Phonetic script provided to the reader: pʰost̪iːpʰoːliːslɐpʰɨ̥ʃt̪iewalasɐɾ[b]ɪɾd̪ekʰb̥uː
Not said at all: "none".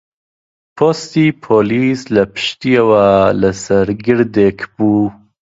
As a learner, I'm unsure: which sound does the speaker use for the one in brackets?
ɡ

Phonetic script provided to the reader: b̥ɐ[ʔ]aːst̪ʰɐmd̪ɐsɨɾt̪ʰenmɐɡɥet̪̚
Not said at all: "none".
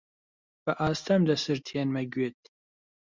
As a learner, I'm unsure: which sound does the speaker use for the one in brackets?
ʔ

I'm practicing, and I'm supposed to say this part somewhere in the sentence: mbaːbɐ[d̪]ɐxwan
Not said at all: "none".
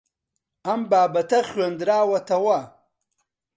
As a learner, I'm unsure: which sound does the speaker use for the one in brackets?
t̪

